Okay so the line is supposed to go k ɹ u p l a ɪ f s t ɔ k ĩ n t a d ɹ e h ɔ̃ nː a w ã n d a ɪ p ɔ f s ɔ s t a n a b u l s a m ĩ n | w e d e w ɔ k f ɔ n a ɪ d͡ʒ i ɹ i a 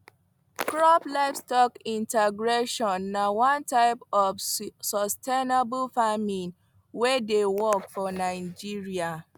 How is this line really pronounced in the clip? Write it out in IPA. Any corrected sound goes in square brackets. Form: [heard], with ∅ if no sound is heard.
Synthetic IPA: k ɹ [ɔ] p l a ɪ f s t ɔ k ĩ n t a [ɡ] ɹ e [ʃ] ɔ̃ nː a w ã n [t] a ɪ p ɔ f s ɔ s t [e] n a b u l [f] a m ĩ n | w e d e w ɔ k f ɔ n a ɪ d͡ʒ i ɹ i a